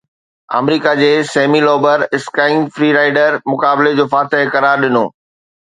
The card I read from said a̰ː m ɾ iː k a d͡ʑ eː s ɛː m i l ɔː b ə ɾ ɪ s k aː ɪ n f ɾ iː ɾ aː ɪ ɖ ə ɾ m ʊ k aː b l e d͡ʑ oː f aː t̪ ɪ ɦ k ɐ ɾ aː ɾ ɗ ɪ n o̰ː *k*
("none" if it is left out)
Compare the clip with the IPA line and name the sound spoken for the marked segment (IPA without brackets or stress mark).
none